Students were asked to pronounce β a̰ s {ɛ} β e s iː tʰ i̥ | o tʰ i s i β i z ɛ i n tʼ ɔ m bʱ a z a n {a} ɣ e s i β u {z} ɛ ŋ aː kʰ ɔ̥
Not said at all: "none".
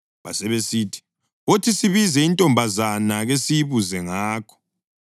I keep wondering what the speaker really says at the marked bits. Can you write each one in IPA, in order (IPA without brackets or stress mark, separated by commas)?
ɛ, a, z